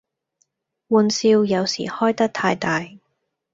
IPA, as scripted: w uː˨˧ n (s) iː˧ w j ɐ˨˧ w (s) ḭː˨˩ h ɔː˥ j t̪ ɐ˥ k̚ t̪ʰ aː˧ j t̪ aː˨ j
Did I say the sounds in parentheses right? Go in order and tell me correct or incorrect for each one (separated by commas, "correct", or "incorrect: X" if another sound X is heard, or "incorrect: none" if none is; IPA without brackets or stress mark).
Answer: correct, correct